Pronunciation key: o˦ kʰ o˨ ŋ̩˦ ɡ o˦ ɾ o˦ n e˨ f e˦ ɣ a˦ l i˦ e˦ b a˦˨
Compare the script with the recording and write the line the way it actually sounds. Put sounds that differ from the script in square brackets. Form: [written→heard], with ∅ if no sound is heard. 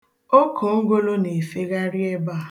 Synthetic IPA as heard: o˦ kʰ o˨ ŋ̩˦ ɡ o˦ [ɾ→l] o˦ n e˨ f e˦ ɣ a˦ [l→ɾ] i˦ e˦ b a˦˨